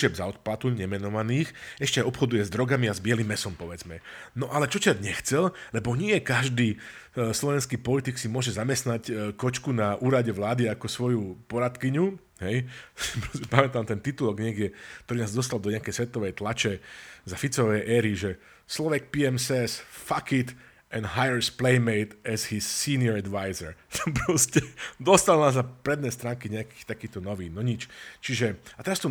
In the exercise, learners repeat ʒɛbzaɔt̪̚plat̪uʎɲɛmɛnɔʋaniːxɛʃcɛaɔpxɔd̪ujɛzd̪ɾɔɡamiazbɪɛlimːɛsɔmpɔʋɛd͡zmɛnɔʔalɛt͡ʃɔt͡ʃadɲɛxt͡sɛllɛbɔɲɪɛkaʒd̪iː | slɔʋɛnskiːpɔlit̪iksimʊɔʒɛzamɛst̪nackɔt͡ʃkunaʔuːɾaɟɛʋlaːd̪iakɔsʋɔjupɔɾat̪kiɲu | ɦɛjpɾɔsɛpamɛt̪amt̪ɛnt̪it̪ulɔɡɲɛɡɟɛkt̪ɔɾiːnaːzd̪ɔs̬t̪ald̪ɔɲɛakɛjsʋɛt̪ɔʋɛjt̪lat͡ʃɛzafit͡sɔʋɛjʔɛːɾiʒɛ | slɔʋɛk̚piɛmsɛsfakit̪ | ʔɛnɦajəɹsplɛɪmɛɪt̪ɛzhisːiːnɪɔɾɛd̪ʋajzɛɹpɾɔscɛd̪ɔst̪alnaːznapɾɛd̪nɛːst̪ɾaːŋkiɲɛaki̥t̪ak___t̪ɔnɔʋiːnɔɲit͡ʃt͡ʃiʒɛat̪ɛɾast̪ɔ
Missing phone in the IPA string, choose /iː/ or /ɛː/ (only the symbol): iː